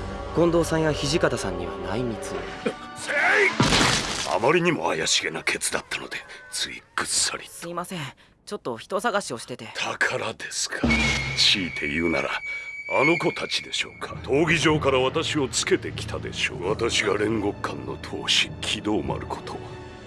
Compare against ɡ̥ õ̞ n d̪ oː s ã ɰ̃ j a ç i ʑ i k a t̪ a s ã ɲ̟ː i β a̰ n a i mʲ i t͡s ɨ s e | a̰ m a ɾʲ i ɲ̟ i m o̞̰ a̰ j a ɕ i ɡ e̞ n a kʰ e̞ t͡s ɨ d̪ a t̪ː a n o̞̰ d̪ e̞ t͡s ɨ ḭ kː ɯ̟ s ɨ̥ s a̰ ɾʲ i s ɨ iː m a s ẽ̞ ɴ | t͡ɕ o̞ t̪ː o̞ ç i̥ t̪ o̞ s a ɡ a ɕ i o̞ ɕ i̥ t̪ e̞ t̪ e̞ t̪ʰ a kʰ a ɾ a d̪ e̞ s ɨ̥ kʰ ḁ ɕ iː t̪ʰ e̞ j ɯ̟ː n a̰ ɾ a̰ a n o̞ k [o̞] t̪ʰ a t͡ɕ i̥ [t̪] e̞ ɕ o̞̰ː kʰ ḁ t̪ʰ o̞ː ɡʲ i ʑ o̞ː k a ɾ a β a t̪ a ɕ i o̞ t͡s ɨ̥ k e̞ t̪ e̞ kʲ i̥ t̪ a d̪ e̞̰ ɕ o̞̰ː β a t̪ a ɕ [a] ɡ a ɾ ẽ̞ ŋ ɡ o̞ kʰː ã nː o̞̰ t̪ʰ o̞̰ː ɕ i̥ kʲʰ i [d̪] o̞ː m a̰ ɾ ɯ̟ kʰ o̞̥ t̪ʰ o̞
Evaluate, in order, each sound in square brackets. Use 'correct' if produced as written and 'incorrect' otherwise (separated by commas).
correct, incorrect, incorrect, correct